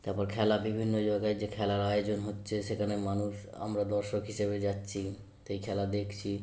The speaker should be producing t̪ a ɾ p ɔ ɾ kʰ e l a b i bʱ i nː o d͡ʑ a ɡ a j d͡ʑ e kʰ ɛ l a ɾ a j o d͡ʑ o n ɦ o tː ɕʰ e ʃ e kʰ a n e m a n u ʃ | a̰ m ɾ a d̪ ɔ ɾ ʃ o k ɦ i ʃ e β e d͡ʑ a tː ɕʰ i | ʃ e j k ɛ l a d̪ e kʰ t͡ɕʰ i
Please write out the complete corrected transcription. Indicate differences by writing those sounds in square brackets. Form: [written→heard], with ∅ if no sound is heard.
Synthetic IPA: t̪ a ɾ p ɔ ɾ kʰ [e→ɛ] l a b i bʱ i nː o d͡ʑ a ɡ a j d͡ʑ e kʰ ɛ l a ɾ a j o d͡ʑ o n ɦ o tː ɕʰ e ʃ e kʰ a n e m a n u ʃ | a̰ m ɾ a d̪ ɔ ɾ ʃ o k ɦ i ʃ e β e d͡ʑ a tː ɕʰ i | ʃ e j [k→kʰ] ɛ l a d̪ e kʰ t͡ɕʰ i